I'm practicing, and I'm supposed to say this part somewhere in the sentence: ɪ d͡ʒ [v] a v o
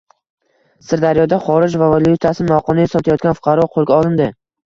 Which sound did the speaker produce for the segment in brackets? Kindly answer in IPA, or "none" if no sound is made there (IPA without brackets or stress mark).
v